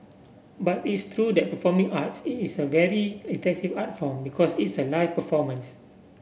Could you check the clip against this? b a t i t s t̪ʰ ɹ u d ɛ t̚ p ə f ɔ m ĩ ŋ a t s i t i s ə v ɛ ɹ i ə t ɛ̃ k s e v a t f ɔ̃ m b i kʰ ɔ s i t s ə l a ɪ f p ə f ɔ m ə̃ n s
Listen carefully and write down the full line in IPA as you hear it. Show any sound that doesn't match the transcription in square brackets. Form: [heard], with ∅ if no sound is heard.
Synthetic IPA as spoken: b a t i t s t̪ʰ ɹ u d ɛ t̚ p ə f ɔ m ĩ ŋ a t s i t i s ə v ɛ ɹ i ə t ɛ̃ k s [i] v a t f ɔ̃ m b i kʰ ɔ s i t s ə l a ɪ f p ə f ɔ m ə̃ n s